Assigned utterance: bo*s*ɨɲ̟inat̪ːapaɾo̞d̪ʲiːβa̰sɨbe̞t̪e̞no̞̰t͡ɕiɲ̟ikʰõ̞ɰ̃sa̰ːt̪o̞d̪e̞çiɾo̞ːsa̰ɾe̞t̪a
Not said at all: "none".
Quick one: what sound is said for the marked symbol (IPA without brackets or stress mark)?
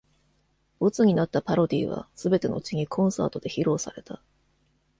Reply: t͡s